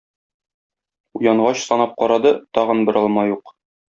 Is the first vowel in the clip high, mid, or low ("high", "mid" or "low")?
high